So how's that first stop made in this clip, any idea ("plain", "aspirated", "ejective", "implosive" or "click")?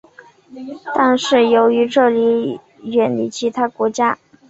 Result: plain